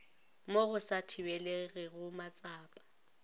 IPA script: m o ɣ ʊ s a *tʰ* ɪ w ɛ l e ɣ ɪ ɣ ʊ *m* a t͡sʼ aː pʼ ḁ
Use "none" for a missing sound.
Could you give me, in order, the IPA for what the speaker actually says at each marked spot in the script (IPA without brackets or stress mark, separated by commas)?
tʰ, m